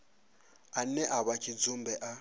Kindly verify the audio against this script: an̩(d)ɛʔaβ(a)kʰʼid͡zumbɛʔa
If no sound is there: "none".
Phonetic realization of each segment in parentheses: n, a

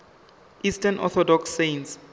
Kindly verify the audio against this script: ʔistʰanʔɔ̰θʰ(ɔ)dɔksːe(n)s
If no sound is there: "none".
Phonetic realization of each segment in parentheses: ɔ, n

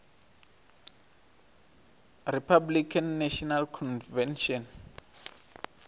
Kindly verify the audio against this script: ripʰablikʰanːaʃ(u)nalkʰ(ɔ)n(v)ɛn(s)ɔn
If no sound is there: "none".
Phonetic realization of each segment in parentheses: ɔ, ɔ, v, ʃ

